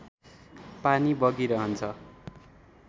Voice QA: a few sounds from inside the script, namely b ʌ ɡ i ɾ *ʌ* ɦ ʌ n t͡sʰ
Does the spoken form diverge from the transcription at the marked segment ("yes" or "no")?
no